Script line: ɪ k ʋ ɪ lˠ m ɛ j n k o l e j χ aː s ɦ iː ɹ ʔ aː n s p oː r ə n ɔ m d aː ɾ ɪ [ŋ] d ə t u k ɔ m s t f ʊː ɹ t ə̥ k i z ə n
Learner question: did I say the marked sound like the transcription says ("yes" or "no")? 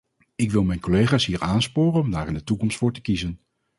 no